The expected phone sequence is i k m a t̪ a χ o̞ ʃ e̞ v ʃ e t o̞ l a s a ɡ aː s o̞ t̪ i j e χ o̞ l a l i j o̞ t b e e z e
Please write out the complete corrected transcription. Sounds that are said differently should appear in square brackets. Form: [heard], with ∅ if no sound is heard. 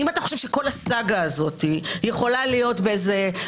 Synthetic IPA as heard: i [∅] m a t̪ a χ o̞ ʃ e̞ v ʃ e [k] o̞ l a s a ɡ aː [z] o̞ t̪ i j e χ o̞ l a l i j o̞ t b e e z e